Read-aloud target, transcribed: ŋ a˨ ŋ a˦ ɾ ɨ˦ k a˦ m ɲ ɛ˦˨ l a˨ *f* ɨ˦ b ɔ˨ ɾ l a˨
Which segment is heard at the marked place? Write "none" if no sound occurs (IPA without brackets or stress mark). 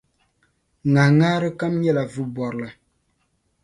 v